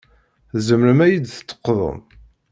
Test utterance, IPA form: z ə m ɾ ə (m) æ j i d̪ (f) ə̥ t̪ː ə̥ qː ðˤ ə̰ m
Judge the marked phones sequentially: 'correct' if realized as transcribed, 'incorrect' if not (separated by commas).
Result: correct, incorrect